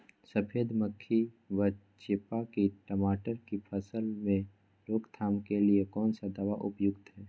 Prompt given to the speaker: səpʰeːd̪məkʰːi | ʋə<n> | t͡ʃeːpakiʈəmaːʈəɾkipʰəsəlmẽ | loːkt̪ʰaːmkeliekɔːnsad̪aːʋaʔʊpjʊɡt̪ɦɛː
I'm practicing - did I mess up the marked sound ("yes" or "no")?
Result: yes